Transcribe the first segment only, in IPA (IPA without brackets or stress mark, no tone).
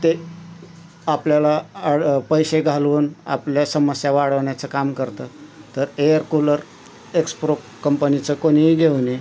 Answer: t̪